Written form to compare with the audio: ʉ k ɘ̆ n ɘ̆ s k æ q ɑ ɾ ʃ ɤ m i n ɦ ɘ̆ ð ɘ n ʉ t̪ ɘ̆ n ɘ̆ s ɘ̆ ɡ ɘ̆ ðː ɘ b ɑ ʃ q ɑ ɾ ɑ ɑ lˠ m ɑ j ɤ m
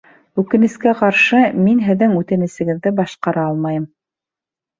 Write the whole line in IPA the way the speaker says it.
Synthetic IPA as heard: ʉ k ɘ̆ n ɘ̆ s k æ q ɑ ɾ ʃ ɤ m i n ɦ ɘ̆ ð ɘ ŋ ʉ t̪ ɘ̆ n ɘ̆ s ɘ̆ ɡ ɘ̆ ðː ɘ b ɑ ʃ q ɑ ɾ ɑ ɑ lˠ m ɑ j ɤ m